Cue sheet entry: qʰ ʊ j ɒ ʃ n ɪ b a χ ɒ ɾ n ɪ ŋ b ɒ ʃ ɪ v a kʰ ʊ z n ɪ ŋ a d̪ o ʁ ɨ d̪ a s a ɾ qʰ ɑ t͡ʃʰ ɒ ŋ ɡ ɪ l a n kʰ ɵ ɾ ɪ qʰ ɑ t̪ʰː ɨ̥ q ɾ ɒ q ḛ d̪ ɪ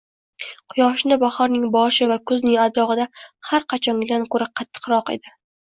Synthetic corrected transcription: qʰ ʊ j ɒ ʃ n ɪ b a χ ɒ ɾ n ɪ ŋ b ɒ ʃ ɪ v a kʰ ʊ z n ɪ ŋ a d̪ ɒ ʁ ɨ d̪ a h a ɾ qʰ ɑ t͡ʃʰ ɒ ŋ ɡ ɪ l a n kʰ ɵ ɾ ɪ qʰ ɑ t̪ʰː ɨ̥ q ɾ ɒ q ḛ d̪ ɪ

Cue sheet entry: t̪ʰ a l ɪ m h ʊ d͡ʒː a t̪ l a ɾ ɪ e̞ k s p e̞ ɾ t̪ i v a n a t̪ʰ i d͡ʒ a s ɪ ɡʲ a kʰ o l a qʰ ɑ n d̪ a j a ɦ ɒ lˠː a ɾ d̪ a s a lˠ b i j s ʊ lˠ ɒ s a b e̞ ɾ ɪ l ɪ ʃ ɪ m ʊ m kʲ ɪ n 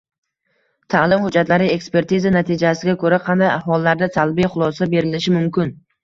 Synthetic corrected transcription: t̪ʰ a l ɪ m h ʊ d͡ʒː a t̪ l a ɾ ɪ e̞ k s p e̞ ɾ t̪ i z a n a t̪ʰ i d͡ʒ a s ɪ ɡʲ a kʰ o ɾ a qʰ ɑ n d̪ a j a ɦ ɒ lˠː a ɾ d̪ a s a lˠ b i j χ ʊ lˠ ɒ s a b e̞ ɾ ɪ l ɪ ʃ ɪ m ʊ m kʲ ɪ n

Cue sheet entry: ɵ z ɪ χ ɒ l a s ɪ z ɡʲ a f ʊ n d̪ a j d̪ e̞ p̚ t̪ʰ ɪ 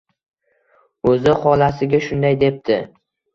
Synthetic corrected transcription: ɵ z ɪ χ ɒ l a s ɪ ɡʲ a ʃ ʊ n d̪ a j d̪ e̞ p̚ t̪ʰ ɪ

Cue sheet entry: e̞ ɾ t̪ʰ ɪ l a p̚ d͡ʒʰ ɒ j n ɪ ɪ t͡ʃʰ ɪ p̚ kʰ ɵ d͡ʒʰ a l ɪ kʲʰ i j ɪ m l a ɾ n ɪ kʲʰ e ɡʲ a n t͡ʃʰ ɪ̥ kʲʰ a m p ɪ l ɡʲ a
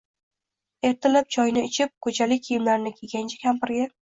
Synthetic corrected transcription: e̞ ɾ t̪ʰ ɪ l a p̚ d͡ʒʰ ɒ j n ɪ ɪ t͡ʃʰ ɪ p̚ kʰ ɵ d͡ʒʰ a l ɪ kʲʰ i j ɪ m l a ɾ n ɪ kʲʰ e ɡʲ a n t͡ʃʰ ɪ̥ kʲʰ a m p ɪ ɾ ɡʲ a

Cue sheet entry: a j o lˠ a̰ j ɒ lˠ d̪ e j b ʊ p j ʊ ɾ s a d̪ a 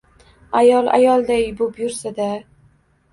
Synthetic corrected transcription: a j ɒ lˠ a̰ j ɒ lˠ d̪ a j b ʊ p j ʊ ɾ s a d̪ a

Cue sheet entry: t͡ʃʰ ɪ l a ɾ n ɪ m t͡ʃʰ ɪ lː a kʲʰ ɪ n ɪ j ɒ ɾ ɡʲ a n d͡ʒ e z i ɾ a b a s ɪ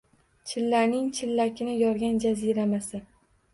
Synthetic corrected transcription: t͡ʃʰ ɪ lː a ɾ n ɪ ŋ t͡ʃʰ ɪ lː a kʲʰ ɪ n ɪ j ɒ ɾ ɡʲ a n d͡ʒ a z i ɾ a m a s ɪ

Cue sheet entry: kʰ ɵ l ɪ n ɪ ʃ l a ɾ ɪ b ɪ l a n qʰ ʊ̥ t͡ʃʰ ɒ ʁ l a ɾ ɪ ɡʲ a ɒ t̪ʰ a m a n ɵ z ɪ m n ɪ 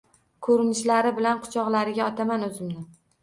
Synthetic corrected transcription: kʰ ɵ ɾ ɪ n ɪ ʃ l a ɾ ɪ b ɪ l a n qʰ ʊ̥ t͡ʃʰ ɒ ʁ l a ɾ ɪ ɡʲ a ɒ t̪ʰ a m a n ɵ z ɪ m n ɪ

